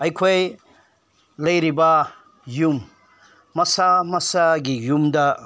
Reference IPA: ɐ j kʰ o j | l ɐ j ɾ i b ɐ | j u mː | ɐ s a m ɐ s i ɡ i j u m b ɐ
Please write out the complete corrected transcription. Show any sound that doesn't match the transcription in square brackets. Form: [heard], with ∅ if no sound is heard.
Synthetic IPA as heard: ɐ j kʰ o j | l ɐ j ɾ i b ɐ | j u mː | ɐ s a m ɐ s [a] ɡ i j u m [d] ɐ